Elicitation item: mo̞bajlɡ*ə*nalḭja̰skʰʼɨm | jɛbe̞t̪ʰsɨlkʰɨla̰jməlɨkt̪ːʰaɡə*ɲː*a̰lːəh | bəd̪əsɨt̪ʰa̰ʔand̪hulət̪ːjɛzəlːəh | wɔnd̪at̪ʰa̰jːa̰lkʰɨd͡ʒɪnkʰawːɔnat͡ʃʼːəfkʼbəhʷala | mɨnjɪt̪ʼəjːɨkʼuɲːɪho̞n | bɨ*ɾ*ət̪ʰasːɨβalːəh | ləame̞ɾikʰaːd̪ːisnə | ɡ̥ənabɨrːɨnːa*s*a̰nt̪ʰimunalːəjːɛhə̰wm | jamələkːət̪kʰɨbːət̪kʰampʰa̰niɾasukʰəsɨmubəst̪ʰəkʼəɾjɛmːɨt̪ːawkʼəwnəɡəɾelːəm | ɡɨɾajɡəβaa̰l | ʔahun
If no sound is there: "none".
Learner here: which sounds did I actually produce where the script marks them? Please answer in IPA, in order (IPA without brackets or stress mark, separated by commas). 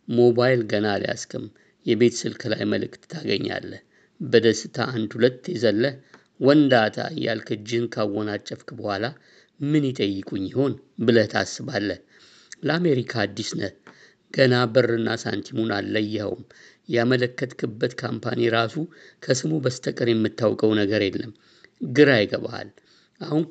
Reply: ə, ɲː, l, s